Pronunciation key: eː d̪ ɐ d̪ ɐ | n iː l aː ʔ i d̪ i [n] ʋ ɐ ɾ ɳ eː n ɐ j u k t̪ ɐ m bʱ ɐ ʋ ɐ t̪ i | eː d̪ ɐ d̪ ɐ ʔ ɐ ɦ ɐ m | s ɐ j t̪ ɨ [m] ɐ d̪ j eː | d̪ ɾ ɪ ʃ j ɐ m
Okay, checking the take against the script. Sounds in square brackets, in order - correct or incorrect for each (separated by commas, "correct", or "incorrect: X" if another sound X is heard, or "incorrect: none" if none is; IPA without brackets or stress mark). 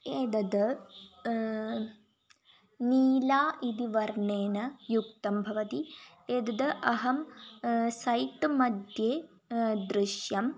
incorrect: none, correct